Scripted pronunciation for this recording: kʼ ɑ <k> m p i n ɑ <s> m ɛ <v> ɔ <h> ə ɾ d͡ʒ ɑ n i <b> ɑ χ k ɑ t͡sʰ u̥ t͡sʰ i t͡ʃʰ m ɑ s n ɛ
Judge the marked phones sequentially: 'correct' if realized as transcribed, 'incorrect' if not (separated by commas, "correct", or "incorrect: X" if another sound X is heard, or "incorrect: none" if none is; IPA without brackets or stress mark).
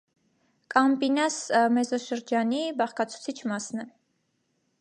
incorrect: none, correct, incorrect: z, incorrect: ʃ, correct